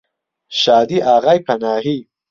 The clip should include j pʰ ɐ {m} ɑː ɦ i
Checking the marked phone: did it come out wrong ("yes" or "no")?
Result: yes